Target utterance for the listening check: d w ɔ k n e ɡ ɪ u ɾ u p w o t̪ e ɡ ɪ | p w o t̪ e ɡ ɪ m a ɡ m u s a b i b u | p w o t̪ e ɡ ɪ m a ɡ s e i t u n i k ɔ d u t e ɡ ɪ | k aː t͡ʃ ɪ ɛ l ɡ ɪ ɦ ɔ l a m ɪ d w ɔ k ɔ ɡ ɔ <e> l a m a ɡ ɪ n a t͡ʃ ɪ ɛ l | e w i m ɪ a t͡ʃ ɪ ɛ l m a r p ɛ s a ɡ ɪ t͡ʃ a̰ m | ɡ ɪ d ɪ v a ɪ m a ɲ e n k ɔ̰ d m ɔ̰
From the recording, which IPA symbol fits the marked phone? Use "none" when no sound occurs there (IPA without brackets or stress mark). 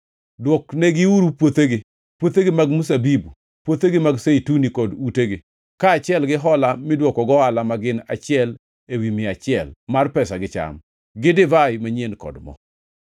a